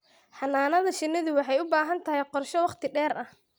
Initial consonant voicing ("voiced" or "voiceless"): voiceless